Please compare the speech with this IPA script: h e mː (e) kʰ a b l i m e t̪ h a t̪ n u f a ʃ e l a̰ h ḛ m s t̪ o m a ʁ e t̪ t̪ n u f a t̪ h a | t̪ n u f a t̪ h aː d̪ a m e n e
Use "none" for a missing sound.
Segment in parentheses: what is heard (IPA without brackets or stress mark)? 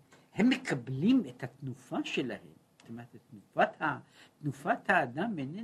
e